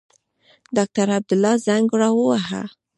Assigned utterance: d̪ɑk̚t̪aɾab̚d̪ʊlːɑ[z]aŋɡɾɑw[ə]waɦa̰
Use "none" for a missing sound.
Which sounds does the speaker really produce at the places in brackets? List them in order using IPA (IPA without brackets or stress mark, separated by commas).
z, ə